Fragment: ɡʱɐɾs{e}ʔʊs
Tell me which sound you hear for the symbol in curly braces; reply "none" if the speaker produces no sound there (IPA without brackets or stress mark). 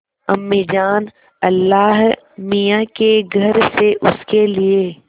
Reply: e